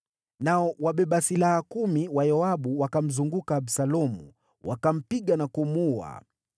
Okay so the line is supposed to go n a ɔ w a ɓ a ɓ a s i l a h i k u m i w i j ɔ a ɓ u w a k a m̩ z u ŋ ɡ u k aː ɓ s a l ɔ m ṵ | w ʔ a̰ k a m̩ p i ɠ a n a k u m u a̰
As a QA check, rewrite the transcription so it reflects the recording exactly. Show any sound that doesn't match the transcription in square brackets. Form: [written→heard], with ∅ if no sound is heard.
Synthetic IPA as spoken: n a ɔ w a ɓ [a→ɛ] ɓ a s i l a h [i→a] k u m i w [i→a] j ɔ a ɓ u w a k a m̩ z u ŋ ɡ u k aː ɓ s a l ɔ m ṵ | w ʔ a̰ k a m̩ p i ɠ a n a k u m u a̰